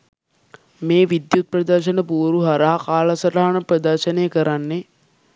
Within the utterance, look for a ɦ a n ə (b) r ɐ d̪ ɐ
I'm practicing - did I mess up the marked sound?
yes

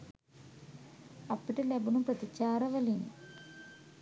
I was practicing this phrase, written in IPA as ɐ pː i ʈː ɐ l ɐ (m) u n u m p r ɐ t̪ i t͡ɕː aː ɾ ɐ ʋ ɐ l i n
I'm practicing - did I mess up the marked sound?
yes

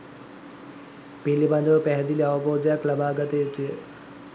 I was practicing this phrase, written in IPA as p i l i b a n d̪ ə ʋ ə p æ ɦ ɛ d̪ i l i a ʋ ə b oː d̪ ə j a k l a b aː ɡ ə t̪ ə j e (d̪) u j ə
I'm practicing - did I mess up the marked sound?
yes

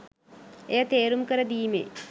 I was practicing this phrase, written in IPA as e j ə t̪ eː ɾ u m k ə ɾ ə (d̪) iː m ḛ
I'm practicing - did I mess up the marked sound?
no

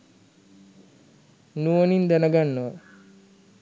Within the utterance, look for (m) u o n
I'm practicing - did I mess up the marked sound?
yes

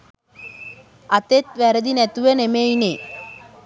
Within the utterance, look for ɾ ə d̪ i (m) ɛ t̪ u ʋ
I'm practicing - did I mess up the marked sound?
yes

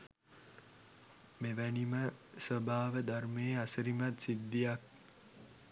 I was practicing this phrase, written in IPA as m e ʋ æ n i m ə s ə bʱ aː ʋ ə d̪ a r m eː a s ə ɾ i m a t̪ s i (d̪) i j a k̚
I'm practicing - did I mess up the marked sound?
yes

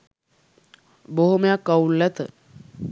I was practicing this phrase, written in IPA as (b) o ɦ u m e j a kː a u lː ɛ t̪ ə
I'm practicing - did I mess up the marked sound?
no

